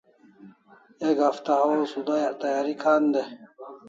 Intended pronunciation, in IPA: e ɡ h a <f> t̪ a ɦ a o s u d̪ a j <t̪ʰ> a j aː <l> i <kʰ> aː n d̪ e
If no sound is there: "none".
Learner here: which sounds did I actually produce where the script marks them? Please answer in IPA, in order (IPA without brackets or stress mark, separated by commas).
f, t̪, ɾ, kʰ